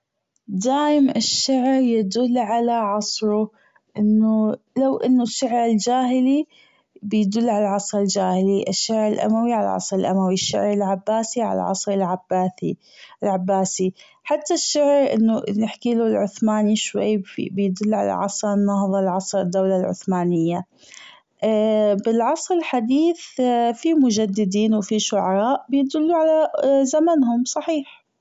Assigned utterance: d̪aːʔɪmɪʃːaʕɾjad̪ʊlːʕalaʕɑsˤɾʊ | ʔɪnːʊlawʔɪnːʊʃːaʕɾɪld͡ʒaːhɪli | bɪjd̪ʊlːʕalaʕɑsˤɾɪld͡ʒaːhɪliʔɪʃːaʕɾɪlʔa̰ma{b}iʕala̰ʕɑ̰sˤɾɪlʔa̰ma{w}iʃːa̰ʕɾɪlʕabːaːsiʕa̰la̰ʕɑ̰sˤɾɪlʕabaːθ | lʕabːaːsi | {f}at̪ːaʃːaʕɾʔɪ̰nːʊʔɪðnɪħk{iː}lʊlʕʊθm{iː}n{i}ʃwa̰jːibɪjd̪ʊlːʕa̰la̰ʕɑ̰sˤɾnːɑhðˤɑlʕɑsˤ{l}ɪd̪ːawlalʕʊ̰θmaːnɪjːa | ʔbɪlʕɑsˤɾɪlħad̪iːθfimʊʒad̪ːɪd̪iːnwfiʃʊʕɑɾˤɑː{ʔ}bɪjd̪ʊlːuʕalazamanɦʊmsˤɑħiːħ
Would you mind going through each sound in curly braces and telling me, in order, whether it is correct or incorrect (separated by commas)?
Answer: incorrect, correct, incorrect, correct, incorrect, correct, incorrect, correct